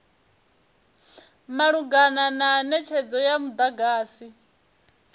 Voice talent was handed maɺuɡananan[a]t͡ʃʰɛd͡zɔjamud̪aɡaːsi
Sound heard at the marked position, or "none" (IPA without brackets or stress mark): ɛ